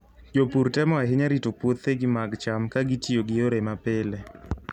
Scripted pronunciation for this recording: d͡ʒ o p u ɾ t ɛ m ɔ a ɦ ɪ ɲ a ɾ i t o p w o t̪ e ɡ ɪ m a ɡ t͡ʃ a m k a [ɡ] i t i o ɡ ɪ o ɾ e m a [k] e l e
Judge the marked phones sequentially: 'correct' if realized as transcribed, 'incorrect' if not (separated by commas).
correct, incorrect